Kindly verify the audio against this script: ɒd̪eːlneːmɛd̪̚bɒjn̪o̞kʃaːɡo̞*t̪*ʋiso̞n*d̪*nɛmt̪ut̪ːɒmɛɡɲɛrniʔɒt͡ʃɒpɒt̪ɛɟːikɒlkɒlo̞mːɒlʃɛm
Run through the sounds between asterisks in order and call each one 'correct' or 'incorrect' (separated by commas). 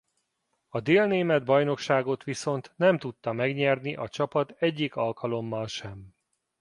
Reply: correct, incorrect